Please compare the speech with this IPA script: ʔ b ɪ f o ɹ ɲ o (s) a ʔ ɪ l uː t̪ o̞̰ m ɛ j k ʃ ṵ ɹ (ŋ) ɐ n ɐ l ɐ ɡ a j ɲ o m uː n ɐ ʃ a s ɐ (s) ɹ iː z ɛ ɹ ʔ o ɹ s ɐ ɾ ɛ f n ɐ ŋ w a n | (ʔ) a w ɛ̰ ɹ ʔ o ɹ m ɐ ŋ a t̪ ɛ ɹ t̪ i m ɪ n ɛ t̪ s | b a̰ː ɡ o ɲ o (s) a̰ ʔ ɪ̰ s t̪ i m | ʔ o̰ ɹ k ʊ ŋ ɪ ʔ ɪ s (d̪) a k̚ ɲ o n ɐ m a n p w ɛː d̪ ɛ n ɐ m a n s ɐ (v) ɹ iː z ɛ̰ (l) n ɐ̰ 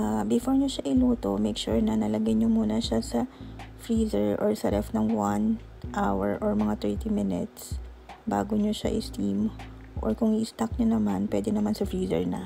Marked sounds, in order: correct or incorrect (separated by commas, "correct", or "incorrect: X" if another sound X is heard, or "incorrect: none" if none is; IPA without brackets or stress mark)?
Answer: incorrect: ʃ, incorrect: n, incorrect: f, correct, incorrect: ʃ, incorrect: t̪, incorrect: f, incorrect: ɹ